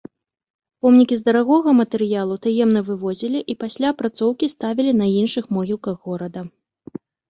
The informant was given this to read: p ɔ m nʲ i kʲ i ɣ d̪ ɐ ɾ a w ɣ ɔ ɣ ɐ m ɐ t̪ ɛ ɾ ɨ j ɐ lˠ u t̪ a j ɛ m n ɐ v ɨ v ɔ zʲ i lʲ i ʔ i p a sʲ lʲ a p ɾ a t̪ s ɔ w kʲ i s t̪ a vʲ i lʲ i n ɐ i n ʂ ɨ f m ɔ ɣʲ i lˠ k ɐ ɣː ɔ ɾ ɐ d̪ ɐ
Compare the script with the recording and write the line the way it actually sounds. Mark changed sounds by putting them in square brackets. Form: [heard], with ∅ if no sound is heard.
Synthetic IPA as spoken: p ɔ m nʲ i kʲ i [z] d̪ ɐ ɾ a [∅] ɣ ɔ ɣ ɐ m ɐ t̪ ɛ ɾ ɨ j [a] lˠ u t̪ a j ɛ m n ɐ v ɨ v ɔ zʲ i lʲ i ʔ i p a sʲ lʲ a p ɾ a t̪ s ɔ w kʲ i s t̪ a vʲ i lʲ i n ɐ i n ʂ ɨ [x] m ɔ ɣʲ i lˠ k ɐ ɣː ɔ ɾ ɐ d̪ ɐ